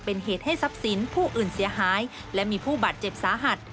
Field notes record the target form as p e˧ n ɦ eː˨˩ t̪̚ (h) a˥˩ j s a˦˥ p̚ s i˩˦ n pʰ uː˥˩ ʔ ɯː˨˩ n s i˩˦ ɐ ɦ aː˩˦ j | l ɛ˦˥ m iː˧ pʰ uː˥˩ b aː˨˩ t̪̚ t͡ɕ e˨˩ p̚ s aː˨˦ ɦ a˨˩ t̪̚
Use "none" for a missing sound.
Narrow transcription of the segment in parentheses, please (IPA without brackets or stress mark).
h